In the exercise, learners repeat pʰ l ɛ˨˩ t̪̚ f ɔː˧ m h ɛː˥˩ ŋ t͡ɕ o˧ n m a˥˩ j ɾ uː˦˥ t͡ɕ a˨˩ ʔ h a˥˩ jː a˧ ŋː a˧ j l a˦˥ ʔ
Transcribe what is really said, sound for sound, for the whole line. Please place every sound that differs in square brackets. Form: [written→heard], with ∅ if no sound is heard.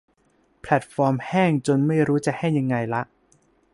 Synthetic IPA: pʰ l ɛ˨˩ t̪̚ f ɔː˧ m h ɛː˥˩ ŋ t͡ɕ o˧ n m a˥˩ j ɾ uː˦˥ t͡ɕ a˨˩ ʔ h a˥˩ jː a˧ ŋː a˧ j l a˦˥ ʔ